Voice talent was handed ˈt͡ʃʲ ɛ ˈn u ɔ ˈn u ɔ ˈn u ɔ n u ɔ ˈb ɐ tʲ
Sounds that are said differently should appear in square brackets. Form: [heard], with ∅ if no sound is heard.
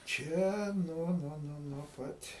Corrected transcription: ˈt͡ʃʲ ɛ ˈn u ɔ ˈn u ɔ ˈn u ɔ n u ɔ [ˈp] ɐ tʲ